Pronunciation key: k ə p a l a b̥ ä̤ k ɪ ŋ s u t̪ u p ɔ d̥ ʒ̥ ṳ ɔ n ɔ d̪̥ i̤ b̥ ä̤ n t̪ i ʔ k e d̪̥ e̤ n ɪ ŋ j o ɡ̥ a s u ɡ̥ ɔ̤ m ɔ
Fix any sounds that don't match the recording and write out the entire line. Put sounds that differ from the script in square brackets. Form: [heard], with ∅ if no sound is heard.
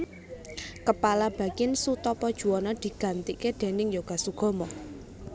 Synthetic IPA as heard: k ə p a l a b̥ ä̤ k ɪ [n] s u t̪ [ɔ] p ɔ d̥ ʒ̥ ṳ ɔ n ɔ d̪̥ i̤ [ɡ̥] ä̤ n t̪ i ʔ k e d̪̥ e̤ n ɪ ŋ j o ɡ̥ a s u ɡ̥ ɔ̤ m ɔ